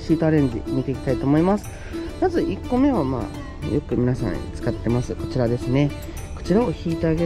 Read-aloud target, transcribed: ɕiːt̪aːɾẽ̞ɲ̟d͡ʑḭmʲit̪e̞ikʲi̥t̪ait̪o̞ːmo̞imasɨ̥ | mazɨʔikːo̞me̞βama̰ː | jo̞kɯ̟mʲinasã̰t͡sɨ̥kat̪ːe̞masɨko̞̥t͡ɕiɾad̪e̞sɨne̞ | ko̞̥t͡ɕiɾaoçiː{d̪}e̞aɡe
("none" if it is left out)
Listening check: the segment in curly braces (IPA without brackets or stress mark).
t̪